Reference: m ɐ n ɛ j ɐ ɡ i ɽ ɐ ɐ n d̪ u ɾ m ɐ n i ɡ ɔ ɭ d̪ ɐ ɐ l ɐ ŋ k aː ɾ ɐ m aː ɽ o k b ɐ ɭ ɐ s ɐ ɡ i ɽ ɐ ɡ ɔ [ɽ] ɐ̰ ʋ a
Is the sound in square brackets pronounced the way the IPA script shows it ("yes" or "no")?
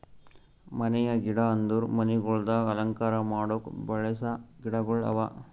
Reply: no